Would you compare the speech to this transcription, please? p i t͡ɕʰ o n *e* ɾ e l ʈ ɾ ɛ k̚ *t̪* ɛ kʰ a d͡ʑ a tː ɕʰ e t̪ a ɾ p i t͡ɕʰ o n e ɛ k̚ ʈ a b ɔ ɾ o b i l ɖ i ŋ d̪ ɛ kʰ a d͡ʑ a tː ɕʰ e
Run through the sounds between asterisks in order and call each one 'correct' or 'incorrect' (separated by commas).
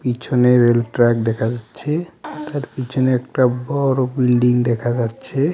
correct, incorrect